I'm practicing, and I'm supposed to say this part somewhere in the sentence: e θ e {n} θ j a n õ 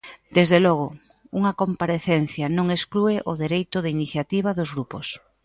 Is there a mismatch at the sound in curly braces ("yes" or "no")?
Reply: no